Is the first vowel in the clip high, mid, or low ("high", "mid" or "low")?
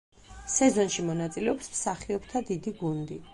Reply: mid